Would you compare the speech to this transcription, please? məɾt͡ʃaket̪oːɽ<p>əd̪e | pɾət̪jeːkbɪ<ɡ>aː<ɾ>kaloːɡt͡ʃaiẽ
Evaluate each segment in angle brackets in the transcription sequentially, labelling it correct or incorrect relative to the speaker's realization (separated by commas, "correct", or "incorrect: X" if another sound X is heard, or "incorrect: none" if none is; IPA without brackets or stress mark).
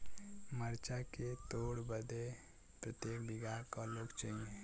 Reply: incorrect: b, correct, correct